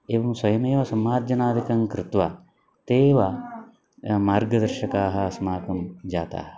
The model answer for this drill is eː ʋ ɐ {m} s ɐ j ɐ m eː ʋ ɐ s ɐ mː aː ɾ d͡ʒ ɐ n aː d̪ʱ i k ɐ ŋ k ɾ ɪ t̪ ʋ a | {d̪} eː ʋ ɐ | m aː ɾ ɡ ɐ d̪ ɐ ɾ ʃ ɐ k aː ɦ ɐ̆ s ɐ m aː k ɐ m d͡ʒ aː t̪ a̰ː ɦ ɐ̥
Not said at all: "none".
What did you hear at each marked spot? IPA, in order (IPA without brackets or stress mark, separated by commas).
m, t̪